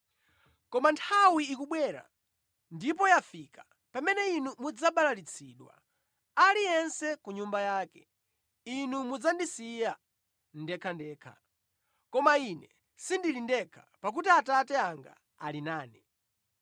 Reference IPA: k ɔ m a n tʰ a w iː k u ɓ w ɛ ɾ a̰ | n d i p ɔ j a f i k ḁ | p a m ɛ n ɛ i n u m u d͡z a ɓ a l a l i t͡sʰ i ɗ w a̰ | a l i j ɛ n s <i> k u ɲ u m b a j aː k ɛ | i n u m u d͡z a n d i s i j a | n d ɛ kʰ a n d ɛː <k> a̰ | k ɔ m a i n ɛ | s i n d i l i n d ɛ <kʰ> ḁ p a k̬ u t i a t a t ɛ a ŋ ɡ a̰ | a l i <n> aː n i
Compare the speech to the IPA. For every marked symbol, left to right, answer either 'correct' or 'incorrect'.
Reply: incorrect, incorrect, correct, correct

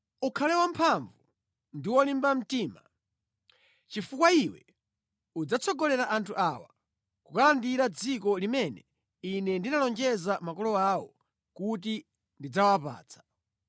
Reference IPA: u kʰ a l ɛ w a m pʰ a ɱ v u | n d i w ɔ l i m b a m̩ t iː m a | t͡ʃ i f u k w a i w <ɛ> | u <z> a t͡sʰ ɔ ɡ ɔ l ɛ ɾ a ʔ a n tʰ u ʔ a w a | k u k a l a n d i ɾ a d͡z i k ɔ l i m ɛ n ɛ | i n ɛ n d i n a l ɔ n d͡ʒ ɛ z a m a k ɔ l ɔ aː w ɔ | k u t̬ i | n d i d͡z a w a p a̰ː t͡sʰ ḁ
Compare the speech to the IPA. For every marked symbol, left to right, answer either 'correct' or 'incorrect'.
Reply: correct, incorrect

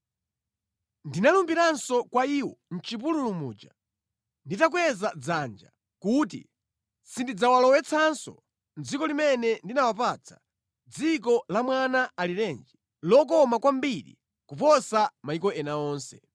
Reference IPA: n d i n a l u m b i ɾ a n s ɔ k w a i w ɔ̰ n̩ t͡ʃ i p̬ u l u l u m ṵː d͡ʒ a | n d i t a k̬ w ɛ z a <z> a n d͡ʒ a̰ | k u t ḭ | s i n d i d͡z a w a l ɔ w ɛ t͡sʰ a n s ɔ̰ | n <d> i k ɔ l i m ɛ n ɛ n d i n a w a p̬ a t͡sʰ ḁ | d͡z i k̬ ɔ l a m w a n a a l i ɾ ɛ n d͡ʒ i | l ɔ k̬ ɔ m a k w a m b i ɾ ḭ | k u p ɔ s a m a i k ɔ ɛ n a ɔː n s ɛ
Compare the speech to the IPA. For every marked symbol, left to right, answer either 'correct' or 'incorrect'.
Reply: incorrect, incorrect

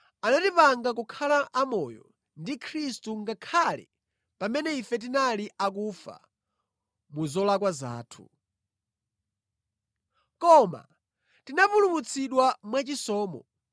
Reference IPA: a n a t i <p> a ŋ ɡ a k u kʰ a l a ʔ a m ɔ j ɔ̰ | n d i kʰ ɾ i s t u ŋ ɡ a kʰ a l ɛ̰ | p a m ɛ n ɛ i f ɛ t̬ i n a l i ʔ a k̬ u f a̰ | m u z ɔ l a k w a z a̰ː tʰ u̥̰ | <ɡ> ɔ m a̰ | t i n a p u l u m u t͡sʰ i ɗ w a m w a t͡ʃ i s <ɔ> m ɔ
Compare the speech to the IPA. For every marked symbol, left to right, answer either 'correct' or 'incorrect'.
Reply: correct, incorrect, incorrect

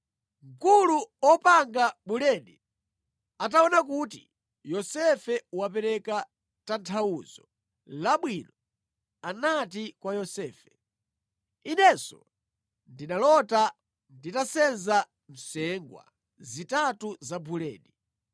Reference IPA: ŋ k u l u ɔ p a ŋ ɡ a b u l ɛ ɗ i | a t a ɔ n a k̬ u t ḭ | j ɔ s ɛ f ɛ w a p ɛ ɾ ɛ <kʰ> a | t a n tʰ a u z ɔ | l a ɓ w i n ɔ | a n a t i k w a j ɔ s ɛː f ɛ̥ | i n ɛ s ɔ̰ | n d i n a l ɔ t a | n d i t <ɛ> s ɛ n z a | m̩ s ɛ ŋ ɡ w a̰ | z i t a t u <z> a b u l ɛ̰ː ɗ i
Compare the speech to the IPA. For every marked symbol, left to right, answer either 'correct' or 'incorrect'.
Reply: incorrect, incorrect, correct

